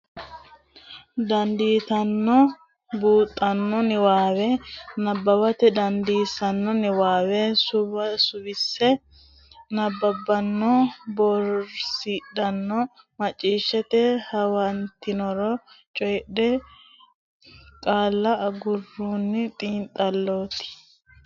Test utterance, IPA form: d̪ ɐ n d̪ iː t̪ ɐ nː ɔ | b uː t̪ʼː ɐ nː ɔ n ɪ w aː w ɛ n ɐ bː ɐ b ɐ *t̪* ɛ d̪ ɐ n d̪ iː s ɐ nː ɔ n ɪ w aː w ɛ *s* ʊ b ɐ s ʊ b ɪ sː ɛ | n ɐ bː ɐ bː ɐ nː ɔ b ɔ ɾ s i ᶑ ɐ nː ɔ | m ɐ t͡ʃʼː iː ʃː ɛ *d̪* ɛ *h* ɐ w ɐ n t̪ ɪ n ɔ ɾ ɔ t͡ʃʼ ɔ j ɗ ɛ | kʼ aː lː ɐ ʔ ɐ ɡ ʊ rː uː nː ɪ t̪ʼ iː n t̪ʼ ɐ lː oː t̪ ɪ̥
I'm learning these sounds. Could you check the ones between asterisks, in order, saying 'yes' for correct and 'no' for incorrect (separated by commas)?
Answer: yes, yes, no, yes